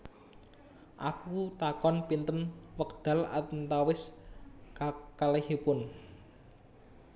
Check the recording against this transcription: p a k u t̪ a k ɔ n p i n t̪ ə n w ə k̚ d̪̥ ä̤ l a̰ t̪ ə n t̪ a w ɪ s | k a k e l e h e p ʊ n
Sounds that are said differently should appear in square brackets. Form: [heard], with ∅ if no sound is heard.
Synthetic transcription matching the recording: [ʔ] a k u t̪ a k ɔ n p i n t̪ ə n w ə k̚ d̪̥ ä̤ l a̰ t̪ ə n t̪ a w ɪ s | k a k [a] l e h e p ʊ n